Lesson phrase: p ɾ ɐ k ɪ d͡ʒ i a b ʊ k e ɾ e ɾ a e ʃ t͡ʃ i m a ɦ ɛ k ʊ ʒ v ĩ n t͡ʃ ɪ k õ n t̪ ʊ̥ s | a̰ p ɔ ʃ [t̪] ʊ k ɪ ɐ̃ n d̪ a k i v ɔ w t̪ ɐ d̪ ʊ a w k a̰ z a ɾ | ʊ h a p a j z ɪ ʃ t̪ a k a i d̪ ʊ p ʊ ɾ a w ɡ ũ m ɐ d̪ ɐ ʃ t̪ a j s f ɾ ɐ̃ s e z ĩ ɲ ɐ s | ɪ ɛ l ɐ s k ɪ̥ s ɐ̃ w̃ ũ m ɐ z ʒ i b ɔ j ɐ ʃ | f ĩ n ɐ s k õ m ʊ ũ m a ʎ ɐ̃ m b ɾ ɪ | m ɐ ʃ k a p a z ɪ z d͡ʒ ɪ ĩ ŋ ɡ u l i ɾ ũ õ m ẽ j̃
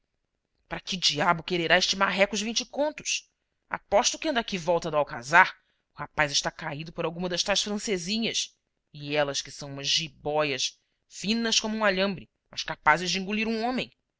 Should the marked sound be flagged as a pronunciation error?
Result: no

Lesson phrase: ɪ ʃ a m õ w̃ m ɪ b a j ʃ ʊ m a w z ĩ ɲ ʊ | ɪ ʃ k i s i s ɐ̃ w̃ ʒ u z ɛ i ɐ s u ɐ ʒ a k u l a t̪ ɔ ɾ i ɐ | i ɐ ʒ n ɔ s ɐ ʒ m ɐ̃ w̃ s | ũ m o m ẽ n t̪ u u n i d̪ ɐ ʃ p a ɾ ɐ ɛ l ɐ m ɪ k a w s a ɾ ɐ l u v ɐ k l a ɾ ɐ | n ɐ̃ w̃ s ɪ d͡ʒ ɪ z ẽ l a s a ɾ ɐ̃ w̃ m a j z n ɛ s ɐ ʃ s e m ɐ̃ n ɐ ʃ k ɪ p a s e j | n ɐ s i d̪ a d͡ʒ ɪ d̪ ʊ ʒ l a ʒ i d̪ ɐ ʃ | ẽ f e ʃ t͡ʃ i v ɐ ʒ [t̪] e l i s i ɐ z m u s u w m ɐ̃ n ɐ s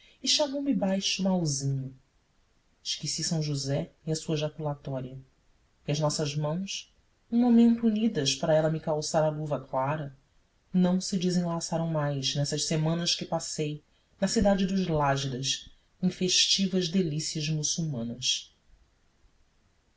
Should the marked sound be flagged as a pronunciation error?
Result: yes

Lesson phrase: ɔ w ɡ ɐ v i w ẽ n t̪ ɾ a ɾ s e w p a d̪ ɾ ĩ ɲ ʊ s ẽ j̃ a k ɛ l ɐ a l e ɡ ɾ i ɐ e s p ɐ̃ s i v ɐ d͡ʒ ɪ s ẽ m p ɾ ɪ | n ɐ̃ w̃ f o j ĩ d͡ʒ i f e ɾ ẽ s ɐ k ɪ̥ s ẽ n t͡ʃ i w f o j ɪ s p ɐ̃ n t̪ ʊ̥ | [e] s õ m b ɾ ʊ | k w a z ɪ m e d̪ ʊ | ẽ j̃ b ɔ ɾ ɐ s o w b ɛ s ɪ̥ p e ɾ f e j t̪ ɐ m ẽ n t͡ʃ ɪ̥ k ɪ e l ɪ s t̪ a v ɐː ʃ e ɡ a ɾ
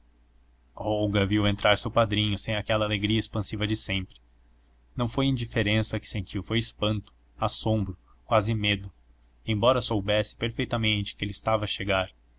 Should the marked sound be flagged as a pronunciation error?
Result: yes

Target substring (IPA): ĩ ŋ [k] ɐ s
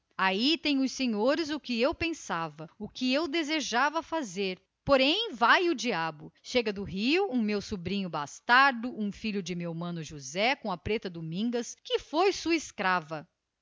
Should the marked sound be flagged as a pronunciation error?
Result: yes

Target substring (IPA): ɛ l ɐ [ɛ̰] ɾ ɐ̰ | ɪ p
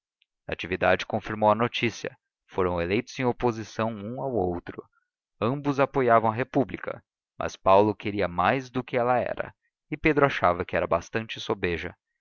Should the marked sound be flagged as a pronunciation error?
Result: no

